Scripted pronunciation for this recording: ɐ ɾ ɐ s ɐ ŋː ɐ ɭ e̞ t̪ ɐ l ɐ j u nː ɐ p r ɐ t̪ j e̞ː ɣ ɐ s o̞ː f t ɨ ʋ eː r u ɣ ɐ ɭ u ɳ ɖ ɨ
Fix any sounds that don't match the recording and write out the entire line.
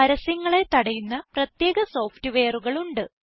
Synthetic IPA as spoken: ɐ ɾ ɐ s ɐ ŋː ɐ ɭ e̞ t̪ ɐ ɽ ɐ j u nː ɐ p r ɐ t̪ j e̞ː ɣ ɐ s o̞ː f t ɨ ʋ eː r u ɣ ɐ ɭ u ɳ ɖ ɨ